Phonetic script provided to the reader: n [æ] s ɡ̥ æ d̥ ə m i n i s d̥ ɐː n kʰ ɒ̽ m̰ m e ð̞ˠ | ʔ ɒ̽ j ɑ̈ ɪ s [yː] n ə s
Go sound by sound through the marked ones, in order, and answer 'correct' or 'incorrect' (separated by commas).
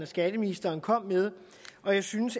correct, incorrect